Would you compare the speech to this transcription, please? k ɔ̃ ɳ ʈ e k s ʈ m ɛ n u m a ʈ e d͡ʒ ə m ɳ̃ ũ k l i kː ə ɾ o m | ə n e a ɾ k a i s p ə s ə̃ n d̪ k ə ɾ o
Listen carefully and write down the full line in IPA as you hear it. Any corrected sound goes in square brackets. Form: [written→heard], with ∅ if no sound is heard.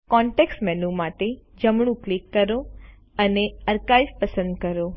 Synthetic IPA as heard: k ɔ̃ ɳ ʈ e k s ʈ m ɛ n u m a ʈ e d͡ʒ ə m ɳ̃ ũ k l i kː ə ɾ o [m→∅] | ə n e [a→ə] ɾ k a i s p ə s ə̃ n d̪ k ə ɾ o